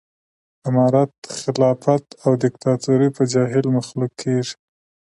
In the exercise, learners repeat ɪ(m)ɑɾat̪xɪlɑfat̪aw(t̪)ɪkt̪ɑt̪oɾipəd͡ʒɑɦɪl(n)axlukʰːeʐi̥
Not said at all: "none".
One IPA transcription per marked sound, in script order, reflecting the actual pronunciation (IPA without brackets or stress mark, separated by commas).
m, d̪, m